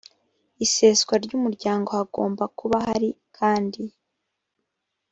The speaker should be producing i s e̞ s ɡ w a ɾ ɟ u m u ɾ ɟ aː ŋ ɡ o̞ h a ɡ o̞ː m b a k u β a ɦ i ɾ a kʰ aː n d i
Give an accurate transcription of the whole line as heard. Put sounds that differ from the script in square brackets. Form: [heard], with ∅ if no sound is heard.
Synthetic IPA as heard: i s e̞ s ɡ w a ɾ ɟ u m u ɾ ɟ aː ŋ ɡ o̞ h a ɡ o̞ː m b a k u β a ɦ [a] ɾ [i] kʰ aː n d i